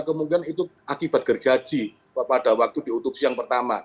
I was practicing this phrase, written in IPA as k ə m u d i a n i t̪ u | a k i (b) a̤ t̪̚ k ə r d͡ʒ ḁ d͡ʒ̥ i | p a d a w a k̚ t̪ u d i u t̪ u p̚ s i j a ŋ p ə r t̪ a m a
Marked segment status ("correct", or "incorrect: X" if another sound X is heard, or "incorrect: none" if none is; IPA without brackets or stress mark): correct